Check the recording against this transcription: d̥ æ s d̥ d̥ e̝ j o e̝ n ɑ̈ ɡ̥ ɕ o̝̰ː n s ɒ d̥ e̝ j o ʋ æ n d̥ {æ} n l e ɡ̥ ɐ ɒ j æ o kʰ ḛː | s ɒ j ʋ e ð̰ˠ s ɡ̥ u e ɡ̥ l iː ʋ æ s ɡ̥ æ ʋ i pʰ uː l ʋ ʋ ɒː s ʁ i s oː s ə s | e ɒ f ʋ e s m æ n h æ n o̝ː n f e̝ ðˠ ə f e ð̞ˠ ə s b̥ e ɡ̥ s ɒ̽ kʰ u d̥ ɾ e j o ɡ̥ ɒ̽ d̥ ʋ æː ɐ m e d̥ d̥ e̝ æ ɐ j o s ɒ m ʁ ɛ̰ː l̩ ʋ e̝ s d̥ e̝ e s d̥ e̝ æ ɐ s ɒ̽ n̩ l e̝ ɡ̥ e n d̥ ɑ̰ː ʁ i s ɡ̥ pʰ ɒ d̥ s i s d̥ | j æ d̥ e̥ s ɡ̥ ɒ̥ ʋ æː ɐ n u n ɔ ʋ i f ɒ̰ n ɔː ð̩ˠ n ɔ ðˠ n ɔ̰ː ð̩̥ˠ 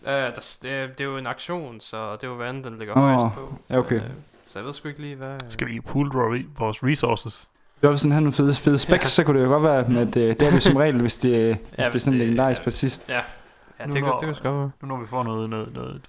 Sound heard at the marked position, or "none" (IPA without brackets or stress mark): e